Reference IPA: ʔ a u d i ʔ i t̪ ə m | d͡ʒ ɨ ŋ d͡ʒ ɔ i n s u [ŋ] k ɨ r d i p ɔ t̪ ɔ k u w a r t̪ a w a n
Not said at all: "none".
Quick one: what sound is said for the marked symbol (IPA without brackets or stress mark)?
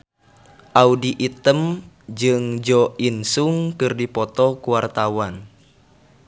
ŋ